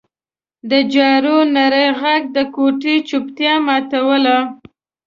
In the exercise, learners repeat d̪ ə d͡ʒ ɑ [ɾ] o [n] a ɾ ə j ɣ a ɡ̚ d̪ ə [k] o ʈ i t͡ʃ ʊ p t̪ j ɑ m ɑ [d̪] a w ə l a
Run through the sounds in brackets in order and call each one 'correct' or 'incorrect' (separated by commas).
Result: correct, correct, correct, incorrect